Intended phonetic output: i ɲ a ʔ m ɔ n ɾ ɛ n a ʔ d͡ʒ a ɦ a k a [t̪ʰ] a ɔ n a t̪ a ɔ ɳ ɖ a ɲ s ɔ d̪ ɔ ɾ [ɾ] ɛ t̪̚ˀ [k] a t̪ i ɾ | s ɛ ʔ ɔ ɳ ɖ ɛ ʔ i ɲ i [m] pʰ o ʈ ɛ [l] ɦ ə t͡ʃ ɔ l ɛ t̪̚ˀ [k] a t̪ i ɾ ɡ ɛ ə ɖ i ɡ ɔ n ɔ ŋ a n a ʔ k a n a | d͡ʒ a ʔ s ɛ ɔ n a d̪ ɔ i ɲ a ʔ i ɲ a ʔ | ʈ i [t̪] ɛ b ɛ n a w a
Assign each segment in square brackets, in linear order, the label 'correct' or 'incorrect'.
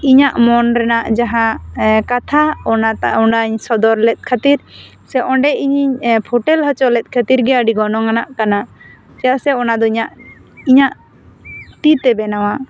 correct, incorrect: l, incorrect: kʰ, incorrect: ɲ, correct, incorrect: kʰ, correct

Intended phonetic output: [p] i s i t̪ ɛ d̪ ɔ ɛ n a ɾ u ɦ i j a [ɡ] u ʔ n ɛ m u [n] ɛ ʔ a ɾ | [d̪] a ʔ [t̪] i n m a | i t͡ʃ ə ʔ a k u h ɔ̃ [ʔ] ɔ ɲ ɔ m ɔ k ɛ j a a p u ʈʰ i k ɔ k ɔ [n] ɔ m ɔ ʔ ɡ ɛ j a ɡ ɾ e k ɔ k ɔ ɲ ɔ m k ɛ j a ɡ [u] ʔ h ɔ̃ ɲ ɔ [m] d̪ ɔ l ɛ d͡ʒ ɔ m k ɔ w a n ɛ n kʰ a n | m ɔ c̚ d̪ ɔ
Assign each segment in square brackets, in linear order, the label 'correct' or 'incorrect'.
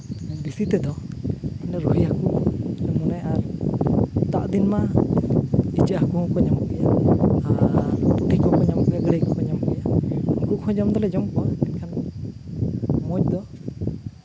incorrect: b, incorrect: k, correct, incorrect: t̪, incorrect: d̪, incorrect: k, incorrect: ɲ, correct, correct

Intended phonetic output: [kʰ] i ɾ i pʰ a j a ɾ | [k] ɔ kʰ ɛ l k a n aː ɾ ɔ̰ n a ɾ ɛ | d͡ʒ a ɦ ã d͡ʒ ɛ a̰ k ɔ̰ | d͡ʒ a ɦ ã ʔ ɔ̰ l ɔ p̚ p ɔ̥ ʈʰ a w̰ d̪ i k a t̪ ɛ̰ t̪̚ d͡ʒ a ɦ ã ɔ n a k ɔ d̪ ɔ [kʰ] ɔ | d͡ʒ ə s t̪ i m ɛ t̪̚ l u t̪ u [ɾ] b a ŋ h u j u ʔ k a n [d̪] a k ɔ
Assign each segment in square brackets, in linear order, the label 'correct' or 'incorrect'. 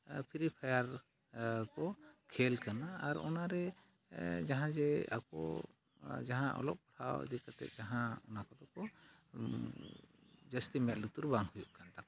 incorrect: pʰ, correct, incorrect: k, correct, incorrect: t̪

